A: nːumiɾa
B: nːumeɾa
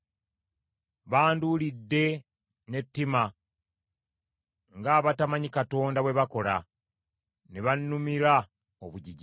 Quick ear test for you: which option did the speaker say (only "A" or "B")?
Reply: A